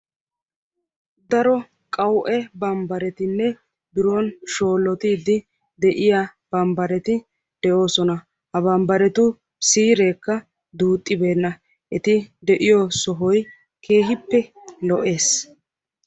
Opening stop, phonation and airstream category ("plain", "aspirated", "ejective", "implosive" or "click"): plain